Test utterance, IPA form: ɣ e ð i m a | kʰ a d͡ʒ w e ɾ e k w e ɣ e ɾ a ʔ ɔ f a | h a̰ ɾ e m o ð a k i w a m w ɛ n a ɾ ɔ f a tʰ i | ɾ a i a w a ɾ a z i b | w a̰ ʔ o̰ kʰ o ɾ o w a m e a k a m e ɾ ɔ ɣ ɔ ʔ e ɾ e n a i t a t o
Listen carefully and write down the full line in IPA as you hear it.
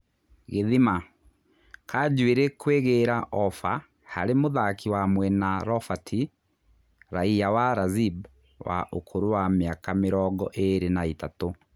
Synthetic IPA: ɣ e ð i m a | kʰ a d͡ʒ w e ɾ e k w e ɣ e ɾ a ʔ ɔ f a | h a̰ ɾ e m o ð a k i w a m w ɛ n a ɾ ɔ f a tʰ i | ɾ a i a w a ɾ a z i b | w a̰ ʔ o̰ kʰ o ɾ o w a m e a k a m e ɾ ɔ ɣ ɔ ʔ e ɾ e n a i t a t o